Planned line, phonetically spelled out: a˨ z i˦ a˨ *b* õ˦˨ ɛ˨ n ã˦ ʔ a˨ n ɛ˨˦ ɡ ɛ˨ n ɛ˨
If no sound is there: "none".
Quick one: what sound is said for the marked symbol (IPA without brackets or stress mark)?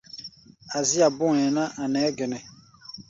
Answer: b